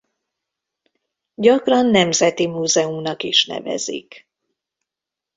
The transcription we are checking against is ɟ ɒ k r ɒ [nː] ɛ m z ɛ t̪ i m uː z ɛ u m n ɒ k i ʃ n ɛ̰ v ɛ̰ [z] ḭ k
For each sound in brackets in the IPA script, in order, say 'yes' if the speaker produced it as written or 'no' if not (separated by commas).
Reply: yes, yes